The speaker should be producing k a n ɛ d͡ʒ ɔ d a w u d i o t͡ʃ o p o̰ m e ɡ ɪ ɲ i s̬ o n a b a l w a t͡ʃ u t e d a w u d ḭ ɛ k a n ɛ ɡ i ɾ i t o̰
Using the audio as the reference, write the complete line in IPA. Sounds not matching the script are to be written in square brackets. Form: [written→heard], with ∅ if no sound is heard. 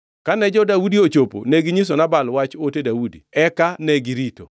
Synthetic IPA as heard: k a n ɛ d͡ʒ ɔ d a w u d i o t͡ʃ o p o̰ [m→n] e ɡ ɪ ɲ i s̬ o n a b a l w a t͡ʃ [u→o] t e d a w u d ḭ ɛ k a n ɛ ɡ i ɾ i t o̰